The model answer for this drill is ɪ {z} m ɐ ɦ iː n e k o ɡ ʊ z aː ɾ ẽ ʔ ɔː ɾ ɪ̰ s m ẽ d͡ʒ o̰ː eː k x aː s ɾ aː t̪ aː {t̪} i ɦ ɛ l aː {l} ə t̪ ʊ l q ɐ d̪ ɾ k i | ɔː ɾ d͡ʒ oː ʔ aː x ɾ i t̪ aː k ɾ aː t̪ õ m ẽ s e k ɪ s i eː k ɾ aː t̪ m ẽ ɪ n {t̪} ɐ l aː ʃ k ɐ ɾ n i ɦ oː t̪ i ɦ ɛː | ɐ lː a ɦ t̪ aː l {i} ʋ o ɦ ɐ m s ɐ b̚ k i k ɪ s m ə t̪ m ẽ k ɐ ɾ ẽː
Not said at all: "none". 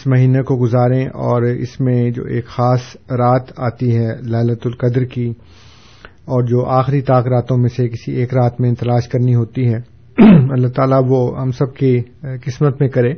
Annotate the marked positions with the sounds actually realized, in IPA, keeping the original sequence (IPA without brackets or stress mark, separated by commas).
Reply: s, t̪, l, t̪, a